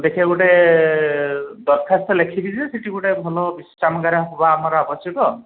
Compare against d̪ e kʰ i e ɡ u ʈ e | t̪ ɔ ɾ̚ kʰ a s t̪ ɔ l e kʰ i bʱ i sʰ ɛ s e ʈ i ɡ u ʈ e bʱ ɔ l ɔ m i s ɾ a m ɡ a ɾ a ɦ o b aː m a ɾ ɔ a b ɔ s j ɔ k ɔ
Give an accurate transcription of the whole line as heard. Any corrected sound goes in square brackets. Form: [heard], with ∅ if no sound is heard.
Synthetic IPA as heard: d̪ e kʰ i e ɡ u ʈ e | [d̪] ɔ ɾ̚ kʰ a s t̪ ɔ l e kʰ i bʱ i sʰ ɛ s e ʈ i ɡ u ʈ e bʱ ɔ l ɔ [b] i s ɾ a m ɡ a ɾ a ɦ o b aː m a ɾ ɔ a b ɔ s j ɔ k ɔ